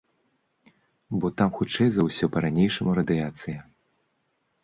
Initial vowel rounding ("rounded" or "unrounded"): rounded